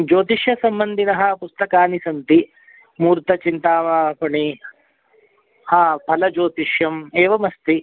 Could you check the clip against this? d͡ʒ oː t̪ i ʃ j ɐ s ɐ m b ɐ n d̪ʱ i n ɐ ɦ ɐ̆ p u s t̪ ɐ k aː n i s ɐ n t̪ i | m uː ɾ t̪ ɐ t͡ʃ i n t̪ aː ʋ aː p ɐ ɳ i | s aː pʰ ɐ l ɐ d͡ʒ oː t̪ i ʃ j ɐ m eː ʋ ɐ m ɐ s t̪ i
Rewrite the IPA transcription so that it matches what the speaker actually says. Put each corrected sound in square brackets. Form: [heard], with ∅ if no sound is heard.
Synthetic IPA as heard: d͡ʒ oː t̪ i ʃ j ɐ s ɐ m b ɐ n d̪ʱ i n ɐ ɦ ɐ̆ p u s t̪ ɐ k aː n i s ɐ n t̪ i | m uː ɾ t̪ ɐ t͡ʃ i n t̪ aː ʋ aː p ɐ ɳ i | [h] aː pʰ ɐ l ɐ d͡ʒ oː t̪ i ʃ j ɐ m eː ʋ ɐ m ɐ s t̪ i